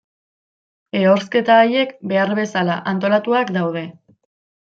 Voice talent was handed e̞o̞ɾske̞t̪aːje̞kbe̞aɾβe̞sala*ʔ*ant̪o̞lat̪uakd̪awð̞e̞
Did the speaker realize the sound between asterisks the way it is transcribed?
yes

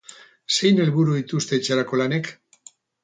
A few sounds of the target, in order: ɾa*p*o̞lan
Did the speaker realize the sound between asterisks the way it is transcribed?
no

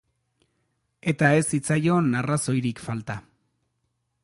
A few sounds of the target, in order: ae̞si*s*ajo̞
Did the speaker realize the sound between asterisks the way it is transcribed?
no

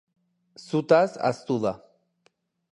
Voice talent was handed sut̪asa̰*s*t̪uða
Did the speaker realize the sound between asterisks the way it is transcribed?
yes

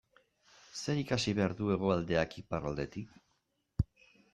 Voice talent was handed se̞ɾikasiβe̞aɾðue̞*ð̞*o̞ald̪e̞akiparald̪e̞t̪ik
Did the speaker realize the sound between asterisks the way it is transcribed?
no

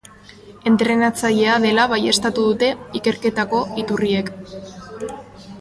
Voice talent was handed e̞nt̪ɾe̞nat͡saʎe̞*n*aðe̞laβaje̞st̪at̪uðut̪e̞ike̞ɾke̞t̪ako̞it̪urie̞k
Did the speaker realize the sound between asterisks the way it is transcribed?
no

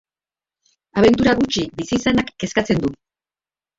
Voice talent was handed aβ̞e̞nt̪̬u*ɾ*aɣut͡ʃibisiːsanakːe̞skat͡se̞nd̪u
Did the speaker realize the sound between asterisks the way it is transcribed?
yes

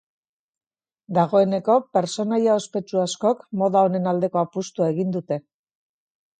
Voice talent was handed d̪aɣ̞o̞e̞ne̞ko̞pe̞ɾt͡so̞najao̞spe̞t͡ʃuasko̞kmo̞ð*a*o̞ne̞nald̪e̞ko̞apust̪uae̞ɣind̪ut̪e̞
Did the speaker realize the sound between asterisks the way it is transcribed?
yes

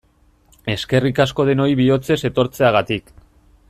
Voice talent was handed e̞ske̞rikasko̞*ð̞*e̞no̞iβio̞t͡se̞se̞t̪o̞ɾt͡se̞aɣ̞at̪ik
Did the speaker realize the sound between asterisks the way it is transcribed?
yes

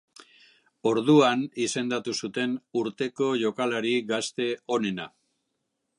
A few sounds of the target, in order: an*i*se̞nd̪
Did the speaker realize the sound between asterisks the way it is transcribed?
yes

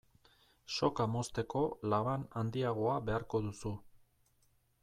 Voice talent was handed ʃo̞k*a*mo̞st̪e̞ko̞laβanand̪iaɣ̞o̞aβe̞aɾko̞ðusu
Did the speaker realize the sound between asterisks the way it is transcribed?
yes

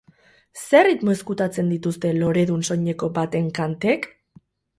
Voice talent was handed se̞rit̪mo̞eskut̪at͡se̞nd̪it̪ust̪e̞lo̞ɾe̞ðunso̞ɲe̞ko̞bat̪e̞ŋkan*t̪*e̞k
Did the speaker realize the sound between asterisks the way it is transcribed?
yes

